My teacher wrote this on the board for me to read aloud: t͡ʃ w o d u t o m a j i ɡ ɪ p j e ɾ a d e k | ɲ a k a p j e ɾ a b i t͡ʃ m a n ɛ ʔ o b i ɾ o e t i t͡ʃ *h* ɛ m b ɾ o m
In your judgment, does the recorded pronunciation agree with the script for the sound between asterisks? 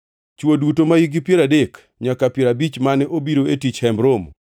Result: yes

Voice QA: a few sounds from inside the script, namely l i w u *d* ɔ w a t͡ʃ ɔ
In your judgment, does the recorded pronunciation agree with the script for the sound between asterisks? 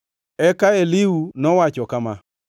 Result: no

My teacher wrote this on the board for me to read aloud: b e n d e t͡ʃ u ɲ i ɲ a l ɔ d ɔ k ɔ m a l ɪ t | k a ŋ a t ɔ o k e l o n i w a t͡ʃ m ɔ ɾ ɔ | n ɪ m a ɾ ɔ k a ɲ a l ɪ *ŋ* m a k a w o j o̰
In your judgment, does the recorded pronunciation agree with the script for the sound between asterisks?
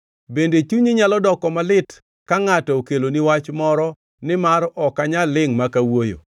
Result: yes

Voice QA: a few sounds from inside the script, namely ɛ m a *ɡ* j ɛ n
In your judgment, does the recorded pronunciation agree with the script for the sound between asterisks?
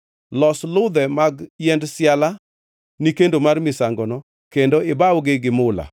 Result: yes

